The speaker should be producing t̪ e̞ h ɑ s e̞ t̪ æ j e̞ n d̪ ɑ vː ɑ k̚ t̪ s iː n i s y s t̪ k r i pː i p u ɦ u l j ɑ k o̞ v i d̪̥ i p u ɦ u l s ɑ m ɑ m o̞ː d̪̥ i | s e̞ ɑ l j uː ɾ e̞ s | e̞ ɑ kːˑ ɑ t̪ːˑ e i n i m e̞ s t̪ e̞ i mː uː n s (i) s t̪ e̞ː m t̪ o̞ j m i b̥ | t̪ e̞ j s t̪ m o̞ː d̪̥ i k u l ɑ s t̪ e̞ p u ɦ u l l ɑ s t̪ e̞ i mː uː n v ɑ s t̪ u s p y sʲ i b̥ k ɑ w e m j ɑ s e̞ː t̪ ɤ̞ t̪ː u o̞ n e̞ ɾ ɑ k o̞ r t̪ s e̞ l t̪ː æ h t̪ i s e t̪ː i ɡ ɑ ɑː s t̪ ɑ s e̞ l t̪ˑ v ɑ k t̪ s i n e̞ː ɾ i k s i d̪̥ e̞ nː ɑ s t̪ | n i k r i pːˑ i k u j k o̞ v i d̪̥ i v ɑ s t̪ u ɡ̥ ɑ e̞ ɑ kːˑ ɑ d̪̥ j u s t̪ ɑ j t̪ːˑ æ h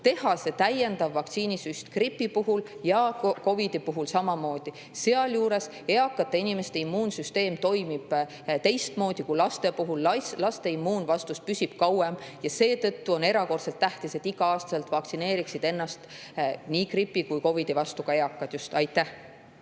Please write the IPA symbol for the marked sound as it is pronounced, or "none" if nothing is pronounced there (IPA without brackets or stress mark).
y